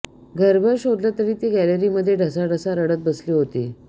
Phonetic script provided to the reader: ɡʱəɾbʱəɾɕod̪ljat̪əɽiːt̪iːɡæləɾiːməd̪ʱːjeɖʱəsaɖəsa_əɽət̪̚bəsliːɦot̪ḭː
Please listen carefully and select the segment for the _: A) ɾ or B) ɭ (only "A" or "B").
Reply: A